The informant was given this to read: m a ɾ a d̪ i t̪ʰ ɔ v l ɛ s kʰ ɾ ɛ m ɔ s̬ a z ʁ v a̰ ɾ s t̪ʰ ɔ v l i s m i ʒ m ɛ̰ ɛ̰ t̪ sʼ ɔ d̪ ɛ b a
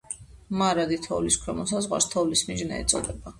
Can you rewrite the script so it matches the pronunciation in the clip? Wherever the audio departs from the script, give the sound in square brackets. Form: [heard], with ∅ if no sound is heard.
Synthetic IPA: m a ɾ a d̪ i t̪ʰ ɔ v l [i] s kʰ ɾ ɛ m ɔ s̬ a z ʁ [w] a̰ ɾ s t̪ʰ ɔ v l i s m i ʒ [n] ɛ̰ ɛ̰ t̪ sʼ ɔ d̪ ɛ b a